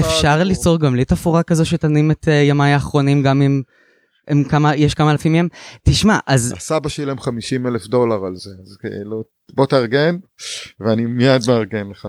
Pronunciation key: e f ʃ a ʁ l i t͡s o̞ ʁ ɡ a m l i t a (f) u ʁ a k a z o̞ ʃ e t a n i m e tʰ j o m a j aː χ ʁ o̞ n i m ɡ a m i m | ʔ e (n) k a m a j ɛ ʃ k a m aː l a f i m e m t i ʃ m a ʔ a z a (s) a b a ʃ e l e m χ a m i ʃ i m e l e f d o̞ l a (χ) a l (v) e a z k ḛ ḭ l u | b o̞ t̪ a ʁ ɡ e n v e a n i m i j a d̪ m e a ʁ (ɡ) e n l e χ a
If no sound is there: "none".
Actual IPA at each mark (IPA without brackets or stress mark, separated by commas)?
f, m, s, ʁ, z, ɡ